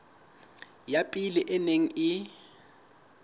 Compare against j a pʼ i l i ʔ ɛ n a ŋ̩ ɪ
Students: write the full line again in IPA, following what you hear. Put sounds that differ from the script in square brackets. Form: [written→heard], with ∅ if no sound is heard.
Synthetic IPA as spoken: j a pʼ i l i ʔ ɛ n [a→e] ŋ̩ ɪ